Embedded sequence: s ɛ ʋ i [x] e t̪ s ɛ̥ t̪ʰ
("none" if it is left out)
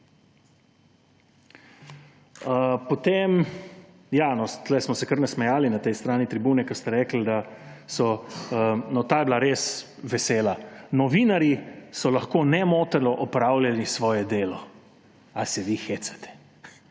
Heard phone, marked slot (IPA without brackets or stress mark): x